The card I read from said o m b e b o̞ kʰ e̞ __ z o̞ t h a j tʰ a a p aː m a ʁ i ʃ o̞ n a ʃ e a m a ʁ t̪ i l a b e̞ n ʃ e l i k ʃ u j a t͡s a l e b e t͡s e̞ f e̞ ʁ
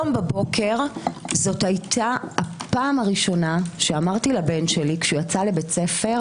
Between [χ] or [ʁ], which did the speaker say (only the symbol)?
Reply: ʁ